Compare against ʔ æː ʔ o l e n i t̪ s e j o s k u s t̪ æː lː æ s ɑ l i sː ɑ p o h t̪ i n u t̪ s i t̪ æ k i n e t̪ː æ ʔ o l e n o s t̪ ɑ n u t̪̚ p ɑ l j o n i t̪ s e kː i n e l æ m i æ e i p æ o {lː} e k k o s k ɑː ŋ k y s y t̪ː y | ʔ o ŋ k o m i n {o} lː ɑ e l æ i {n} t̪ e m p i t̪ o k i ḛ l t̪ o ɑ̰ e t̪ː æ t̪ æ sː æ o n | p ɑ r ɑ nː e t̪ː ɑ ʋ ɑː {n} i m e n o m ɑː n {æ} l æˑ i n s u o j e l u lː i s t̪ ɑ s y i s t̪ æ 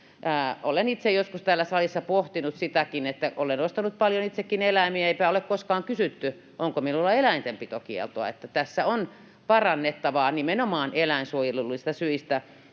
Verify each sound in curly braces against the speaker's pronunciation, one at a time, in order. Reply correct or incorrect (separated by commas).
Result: incorrect, incorrect, correct, correct, incorrect